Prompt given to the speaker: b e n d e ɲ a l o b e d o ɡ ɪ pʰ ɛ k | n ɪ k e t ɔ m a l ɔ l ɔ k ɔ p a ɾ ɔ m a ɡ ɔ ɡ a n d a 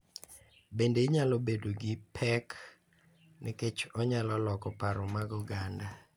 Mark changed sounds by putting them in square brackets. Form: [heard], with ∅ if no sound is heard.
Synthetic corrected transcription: b e n d e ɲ a l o b e d o ɡ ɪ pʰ ɛ k | n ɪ k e [t͡ʃ] ɔ [ɲ] a l ɔ l ɔ k ɔ p a ɾ ɔ m a ɡ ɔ ɡ a n d a